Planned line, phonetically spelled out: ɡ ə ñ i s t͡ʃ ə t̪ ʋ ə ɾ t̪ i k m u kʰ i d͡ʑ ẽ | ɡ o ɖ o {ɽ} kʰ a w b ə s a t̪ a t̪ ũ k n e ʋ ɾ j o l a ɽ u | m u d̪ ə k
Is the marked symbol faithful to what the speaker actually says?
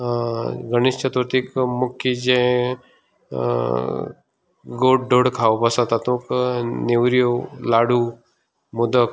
yes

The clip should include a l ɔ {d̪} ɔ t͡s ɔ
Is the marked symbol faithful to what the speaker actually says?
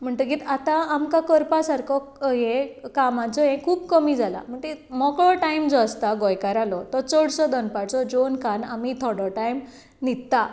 no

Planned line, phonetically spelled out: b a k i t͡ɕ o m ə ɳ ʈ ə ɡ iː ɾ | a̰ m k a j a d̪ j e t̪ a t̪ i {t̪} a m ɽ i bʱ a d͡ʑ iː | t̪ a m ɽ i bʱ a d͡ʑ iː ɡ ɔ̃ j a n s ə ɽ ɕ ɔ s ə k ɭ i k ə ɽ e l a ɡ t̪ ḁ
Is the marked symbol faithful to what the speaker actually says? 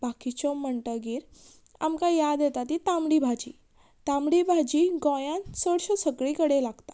yes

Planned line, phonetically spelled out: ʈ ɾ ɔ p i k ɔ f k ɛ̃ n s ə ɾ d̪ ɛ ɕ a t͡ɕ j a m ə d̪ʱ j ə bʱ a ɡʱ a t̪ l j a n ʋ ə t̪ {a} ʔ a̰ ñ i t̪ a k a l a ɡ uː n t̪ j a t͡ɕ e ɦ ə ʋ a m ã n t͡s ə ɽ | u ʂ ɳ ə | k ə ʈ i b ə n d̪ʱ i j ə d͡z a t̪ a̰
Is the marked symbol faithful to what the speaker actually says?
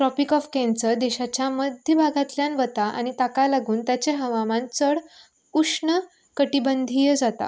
yes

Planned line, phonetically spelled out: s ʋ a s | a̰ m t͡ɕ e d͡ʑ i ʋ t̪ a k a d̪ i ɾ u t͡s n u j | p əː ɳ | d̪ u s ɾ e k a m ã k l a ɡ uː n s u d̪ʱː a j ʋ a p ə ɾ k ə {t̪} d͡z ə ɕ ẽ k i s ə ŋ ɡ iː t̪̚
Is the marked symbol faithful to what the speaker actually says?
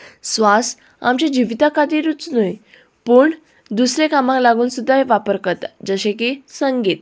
yes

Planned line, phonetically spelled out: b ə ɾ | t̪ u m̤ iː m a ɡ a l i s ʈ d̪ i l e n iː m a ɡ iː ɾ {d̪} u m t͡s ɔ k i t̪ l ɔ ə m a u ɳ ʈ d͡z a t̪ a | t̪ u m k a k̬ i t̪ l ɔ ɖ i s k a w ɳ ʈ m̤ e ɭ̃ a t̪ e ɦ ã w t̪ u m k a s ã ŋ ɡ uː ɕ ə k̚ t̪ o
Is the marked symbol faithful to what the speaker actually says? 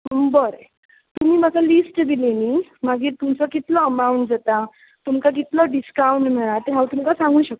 no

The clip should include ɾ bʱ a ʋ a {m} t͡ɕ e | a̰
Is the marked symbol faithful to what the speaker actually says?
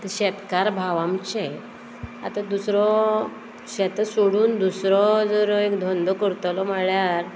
yes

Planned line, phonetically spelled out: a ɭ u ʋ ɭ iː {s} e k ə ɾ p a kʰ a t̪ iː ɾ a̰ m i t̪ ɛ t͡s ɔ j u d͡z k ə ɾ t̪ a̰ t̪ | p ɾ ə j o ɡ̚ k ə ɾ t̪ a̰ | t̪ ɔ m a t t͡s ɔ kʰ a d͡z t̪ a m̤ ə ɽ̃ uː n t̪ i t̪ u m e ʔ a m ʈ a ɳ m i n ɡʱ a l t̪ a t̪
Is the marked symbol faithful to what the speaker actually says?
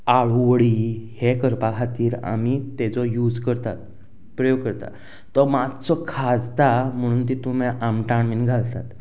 no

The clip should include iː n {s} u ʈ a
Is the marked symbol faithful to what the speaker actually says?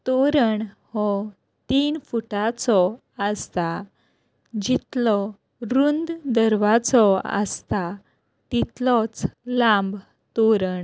no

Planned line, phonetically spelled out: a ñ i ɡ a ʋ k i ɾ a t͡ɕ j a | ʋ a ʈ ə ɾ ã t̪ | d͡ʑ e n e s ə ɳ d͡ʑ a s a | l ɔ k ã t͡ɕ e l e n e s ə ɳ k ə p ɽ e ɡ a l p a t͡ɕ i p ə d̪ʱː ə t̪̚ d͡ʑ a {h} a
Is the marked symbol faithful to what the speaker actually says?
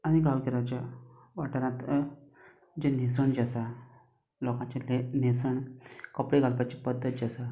no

